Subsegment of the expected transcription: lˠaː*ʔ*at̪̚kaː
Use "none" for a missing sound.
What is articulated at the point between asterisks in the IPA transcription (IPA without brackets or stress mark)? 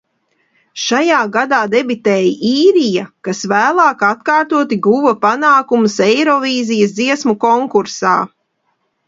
k